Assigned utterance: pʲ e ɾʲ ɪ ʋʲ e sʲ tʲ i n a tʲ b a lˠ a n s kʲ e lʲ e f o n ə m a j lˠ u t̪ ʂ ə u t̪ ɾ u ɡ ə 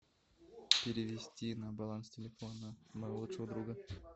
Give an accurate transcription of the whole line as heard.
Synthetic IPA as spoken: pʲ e ɾʲ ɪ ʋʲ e sʲ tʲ i n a b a lˠ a n s tʲ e lʲ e f o n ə m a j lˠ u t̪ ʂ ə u d̪ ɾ u ɡ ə